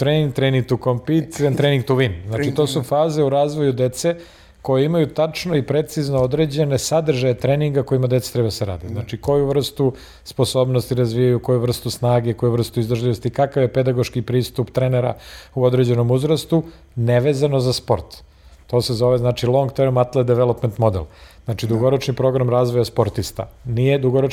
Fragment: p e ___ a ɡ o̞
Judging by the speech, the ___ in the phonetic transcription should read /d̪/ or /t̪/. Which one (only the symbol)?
d̪